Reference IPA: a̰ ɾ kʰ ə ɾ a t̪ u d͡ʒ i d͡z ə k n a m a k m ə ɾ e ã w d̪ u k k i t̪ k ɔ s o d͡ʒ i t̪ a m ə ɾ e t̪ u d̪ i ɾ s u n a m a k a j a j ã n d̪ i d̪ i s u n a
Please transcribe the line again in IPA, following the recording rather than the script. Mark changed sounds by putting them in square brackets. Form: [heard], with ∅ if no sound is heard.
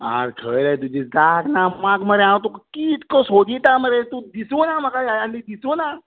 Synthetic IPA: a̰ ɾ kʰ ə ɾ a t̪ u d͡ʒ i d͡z [a] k n a m a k m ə ɾ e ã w [t̪] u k k i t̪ k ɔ s o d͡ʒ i t̪ a m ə ɾ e t̪ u d̪ i [∅] s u n a m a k a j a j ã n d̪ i d̪ i s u n a